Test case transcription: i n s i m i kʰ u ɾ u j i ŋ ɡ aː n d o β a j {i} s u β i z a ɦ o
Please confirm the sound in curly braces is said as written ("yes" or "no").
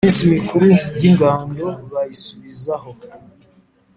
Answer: yes